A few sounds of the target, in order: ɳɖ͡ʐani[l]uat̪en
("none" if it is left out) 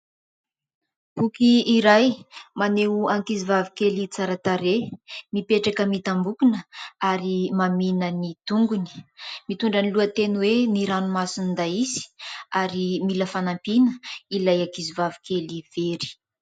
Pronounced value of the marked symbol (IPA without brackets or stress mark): l